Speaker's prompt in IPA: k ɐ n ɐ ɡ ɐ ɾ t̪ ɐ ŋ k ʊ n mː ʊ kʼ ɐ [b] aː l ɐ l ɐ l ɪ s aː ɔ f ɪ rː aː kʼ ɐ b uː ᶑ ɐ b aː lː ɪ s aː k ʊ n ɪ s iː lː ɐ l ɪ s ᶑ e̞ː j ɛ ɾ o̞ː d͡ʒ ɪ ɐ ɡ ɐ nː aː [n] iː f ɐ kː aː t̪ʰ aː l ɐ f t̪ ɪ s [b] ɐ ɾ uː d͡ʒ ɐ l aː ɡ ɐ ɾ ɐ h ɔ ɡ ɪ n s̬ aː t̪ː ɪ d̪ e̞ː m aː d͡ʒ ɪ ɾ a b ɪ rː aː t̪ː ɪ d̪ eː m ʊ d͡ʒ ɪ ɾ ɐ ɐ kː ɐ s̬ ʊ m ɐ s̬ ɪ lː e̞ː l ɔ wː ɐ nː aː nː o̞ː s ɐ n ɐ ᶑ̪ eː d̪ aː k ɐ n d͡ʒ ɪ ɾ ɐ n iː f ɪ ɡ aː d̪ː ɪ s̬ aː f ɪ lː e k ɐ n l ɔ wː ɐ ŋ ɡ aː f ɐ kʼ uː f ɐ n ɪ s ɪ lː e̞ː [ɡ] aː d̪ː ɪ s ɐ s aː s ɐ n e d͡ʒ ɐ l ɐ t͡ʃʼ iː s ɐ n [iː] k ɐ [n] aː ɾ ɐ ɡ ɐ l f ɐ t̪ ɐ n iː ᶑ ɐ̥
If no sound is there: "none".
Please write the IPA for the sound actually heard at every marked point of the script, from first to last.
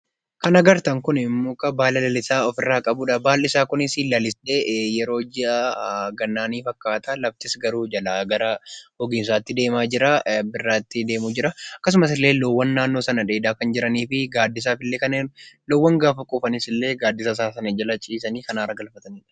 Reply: b, n, ɡ, ɡ, iː, n

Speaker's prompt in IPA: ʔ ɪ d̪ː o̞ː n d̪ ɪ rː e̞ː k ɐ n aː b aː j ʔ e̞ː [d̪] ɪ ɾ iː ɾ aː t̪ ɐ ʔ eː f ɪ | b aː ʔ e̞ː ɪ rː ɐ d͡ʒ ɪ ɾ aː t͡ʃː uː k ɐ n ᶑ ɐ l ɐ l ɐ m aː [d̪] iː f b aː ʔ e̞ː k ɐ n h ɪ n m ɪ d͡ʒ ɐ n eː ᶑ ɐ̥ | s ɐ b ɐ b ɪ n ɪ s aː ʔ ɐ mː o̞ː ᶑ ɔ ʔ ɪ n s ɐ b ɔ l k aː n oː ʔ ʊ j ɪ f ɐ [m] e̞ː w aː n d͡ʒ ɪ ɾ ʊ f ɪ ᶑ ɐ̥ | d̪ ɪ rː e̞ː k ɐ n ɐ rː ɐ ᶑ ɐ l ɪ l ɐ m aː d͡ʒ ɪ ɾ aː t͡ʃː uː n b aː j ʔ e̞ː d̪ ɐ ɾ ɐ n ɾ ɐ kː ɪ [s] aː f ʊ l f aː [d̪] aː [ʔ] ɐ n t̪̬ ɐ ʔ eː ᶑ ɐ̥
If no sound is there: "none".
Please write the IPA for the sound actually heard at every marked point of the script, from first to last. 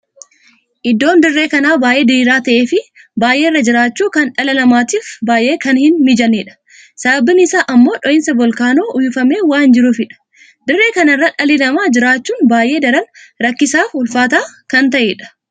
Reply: d̪, t̪, m, s, t̪, k

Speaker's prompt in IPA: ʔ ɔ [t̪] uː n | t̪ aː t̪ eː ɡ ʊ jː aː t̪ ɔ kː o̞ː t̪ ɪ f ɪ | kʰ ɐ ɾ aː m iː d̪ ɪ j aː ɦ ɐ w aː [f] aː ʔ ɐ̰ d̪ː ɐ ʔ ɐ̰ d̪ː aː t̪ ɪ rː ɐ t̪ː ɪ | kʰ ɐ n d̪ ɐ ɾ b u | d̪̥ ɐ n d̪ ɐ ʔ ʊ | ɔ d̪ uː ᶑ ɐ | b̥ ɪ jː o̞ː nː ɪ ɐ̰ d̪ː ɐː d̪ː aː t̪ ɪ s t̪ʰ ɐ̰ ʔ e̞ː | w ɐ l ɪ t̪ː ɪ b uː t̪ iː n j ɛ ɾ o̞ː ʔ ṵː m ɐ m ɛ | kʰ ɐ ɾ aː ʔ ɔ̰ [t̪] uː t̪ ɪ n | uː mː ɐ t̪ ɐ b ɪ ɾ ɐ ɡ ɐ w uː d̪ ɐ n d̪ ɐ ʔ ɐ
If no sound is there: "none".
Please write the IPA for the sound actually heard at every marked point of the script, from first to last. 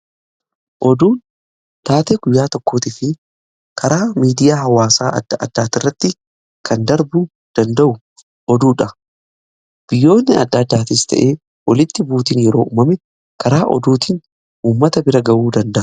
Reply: d̪, s, d̪

